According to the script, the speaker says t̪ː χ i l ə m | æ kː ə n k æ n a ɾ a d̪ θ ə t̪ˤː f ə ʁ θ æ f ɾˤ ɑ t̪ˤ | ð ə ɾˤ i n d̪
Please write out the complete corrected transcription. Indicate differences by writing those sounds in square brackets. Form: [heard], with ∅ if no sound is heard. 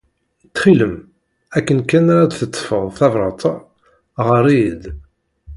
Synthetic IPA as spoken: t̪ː χ i l ə m | æ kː ə n k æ n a ɾ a d̪ θ ə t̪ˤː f ə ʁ θ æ [v] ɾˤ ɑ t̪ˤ | [ʁ] ə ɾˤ i [∅] d̪